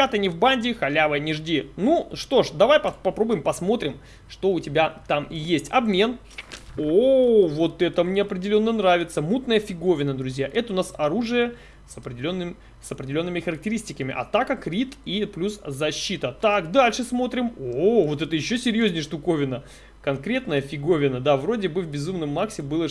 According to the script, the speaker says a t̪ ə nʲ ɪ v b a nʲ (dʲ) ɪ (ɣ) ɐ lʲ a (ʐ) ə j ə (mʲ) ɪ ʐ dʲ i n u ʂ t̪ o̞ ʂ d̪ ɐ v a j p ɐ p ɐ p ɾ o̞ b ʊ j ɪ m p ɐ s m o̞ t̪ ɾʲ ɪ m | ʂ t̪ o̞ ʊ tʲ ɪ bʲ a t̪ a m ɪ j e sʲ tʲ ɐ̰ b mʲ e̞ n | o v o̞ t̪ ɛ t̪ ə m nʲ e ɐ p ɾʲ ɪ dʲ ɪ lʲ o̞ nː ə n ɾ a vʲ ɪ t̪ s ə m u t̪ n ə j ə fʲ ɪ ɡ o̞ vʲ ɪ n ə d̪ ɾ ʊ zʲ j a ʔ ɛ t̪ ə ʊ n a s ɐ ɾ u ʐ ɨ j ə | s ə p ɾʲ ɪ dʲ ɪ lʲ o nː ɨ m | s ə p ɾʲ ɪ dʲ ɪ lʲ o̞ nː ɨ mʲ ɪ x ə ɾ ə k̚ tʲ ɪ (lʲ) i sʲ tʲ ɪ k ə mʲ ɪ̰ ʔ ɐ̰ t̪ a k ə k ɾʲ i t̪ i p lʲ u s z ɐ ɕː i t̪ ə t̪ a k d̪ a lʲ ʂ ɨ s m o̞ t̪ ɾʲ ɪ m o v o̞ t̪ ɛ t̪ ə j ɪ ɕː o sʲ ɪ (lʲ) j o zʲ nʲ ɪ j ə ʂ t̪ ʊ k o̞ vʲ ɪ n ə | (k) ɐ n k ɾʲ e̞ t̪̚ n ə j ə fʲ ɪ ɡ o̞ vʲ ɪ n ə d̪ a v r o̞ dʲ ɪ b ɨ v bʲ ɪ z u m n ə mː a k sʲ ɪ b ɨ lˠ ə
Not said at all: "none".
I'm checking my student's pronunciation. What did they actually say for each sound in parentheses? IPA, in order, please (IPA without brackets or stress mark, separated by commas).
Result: dʲ, x, v, nʲ, ɾʲ, ɾʲ, k